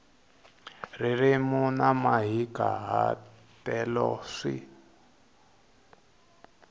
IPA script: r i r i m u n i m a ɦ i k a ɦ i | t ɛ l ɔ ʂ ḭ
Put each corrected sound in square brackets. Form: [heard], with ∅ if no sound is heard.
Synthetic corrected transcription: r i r i m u n [a] m a ɦ i k a ɦ [a] | t ɛ l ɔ ʂ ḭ